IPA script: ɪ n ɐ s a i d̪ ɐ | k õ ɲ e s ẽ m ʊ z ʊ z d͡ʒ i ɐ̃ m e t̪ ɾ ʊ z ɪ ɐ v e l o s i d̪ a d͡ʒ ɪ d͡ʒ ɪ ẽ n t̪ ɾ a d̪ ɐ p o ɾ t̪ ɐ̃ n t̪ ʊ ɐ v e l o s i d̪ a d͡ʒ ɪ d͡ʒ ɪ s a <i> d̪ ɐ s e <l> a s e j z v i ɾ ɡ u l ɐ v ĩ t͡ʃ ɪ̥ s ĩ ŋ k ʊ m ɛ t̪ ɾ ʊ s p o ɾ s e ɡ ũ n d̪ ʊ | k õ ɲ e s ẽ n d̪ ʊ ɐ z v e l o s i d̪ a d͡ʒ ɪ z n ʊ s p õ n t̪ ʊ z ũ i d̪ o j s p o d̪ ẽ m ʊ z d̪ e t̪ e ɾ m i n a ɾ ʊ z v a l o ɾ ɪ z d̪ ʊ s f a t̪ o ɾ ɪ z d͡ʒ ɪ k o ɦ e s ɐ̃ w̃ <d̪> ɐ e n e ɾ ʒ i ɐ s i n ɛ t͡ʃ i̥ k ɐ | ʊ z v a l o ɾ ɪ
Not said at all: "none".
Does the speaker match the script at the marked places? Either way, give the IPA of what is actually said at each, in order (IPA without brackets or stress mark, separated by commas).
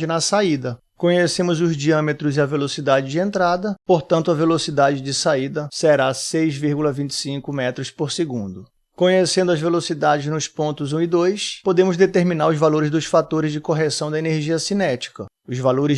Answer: i, ɾ, d̪